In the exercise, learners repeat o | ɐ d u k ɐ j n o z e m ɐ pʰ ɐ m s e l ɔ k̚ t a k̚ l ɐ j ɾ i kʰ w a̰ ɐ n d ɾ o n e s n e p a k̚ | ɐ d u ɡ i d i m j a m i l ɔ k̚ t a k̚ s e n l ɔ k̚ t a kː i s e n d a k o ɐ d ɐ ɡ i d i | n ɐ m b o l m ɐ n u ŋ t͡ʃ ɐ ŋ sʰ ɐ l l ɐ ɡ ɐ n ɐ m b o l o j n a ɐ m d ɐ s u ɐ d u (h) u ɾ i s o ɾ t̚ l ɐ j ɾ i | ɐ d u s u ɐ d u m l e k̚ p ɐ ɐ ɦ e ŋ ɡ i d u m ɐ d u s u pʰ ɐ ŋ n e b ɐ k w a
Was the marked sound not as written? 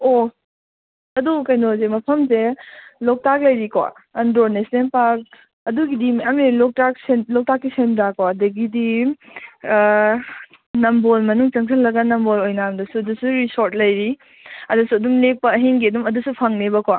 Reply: yes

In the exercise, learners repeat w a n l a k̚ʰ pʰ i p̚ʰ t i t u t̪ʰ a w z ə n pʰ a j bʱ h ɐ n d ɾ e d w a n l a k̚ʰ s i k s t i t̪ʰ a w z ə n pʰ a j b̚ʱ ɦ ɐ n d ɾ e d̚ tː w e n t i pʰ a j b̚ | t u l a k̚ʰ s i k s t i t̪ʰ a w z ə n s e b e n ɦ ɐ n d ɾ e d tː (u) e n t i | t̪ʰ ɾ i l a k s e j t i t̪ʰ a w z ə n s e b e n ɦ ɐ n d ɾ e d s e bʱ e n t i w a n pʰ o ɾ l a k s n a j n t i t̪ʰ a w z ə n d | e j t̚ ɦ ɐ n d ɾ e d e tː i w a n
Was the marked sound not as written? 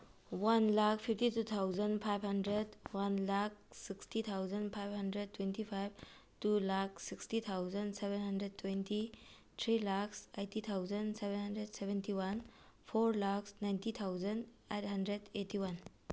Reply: yes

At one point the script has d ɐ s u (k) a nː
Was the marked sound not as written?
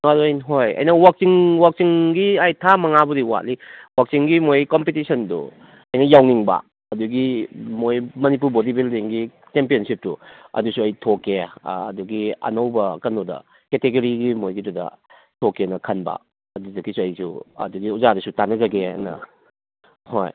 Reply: yes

